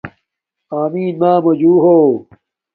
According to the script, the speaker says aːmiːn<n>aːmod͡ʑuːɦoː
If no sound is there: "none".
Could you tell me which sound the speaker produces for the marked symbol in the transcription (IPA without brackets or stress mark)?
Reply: m